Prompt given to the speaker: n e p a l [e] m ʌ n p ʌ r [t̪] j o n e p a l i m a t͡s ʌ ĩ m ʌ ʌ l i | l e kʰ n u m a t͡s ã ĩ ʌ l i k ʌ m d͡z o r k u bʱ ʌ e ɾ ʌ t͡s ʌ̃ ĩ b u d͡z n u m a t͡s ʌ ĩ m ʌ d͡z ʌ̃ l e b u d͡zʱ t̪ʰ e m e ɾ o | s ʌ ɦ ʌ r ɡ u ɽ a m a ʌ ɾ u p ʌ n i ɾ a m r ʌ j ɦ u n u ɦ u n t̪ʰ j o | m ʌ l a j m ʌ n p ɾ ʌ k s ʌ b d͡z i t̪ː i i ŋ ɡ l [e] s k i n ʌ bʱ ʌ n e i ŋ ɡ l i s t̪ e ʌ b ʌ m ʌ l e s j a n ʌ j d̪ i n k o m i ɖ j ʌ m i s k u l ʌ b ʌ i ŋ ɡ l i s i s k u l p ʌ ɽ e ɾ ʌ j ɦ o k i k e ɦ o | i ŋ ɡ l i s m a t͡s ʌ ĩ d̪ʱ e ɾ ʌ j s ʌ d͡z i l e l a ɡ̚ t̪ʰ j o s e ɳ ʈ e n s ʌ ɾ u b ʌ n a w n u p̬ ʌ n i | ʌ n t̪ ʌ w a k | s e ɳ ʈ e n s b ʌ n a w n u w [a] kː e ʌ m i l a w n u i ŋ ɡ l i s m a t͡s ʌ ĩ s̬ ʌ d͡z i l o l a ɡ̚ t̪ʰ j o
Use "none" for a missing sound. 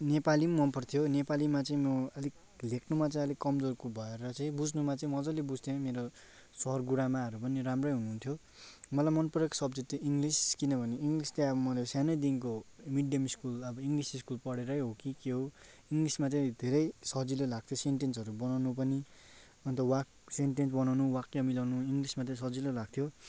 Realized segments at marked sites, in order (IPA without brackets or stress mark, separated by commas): i, t̪ʰ, i, a